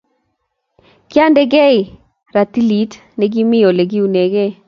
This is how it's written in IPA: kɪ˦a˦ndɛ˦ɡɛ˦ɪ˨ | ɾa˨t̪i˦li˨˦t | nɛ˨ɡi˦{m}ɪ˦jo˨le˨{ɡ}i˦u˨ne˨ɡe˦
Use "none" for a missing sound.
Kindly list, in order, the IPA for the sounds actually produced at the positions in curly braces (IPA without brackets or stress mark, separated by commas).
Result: m, ɡ